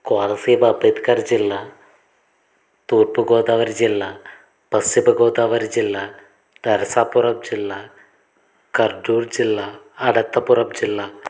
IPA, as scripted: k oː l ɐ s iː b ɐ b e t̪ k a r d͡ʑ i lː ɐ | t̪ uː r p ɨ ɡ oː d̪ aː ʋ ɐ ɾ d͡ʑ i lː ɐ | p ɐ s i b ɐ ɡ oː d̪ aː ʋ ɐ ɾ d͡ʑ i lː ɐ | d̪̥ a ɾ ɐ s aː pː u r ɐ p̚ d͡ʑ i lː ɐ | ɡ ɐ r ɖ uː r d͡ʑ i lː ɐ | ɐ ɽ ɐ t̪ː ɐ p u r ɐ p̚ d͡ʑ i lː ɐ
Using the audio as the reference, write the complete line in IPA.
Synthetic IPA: k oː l ɐ s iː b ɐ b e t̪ k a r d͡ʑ i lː ɐ | t̪ uː r p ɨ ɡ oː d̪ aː ʋ ɐ ɾ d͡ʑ i lː ɐ | p ɐ s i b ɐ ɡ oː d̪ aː ʋ ɐ ɾ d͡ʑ i lː ɐ | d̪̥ ɐ ɾ ɐ s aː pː u r ɐ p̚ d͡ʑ i lː ɐ | k ɐ r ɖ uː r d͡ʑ i lː ɐ | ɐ ɽ ɐ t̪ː ɐ p u r ɐ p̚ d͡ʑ i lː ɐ